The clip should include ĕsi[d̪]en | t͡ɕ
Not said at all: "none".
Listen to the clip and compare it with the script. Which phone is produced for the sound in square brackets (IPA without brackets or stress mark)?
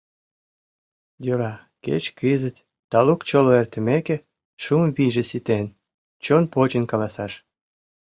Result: t̪